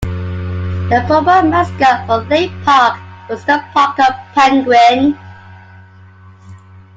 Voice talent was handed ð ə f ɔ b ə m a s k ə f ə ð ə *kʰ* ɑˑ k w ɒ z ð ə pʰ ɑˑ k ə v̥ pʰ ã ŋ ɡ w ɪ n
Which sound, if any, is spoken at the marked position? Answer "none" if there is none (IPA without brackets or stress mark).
pʰ